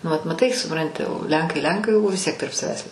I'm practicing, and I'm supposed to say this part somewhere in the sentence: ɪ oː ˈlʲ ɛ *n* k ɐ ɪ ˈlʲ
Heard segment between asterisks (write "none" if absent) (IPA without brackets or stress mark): ŋ